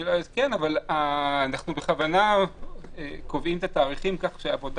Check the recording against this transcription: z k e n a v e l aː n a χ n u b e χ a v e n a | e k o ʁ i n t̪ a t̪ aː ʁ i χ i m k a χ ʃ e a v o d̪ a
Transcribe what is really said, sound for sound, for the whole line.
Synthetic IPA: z k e n a v a l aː n a χ n u b e χ a v a n a | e k o v i m t̪ a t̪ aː ʁ i χ i m k a χ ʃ e a v o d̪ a